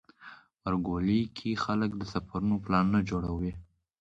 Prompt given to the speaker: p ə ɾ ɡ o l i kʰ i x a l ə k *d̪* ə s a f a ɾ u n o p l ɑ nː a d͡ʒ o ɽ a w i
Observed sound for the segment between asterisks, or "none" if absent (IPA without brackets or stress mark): d̪